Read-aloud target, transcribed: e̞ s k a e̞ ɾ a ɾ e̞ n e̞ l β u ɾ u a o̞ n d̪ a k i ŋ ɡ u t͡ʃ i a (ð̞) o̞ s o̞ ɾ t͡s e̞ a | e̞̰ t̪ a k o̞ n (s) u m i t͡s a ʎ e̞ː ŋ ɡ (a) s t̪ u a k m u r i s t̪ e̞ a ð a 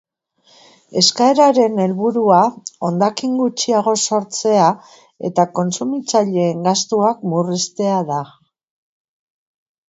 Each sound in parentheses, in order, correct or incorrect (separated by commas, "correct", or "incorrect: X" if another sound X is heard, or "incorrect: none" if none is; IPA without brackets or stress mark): incorrect: ɣ̞, correct, correct